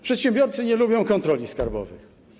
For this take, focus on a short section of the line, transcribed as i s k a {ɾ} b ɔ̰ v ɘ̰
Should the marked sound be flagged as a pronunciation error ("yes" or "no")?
no